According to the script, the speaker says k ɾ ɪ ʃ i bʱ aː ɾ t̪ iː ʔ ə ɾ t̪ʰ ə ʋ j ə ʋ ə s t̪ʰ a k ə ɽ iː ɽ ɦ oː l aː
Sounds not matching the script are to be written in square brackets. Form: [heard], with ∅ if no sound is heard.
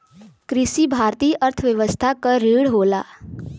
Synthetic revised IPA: k ɾ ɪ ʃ i bʱ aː ɾ t̪ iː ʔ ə ɾ t̪ʰ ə ʋ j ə ʋ ə s t̪ʰ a k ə [ɾ] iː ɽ ɦ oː l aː